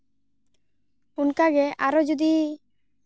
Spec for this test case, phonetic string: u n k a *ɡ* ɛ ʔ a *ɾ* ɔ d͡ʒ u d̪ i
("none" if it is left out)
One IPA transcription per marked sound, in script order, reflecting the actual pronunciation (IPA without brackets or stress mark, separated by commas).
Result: ɡ, ɾ